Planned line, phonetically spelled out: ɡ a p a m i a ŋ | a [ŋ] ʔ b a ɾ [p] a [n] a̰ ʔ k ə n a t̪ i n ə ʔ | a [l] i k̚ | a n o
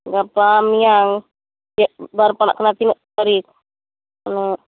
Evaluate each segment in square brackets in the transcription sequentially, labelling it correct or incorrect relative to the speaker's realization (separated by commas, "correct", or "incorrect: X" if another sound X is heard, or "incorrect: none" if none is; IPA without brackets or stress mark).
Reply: incorrect: none, correct, correct, incorrect: ɾ